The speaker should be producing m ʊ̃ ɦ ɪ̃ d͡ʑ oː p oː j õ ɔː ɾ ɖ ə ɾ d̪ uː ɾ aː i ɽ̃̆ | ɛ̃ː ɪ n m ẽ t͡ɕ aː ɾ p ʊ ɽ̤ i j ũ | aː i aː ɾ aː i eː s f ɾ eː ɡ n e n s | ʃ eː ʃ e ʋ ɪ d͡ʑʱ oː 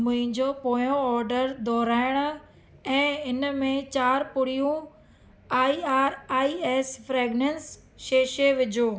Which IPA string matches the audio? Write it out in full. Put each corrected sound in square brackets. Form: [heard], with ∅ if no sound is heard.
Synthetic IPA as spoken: m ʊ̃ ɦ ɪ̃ d͡ʑ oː p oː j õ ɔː ɾ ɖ ə ɾ d̪ [ɔː] ɾ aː [ɪ] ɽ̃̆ | ɛ̃ː ɪ n m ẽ t͡ɕ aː ɾ p ʊ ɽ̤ i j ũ | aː i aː ɾ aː i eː s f ɾ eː ɡ n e n s | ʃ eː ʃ e ʋ ɪ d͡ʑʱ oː